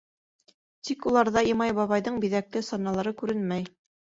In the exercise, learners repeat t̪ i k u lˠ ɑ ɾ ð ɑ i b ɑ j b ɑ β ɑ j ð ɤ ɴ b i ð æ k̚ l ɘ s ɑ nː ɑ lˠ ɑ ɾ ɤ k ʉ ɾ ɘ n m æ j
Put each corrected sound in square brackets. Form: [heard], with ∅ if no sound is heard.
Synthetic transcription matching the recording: t̪ i k u lˠ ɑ ɾ ð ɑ i [m] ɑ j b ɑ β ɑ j ð ɤ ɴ b i ð æ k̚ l ɘ s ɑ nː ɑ lˠ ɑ ɾ ɤ k ʉ ɾ ɘ n m æ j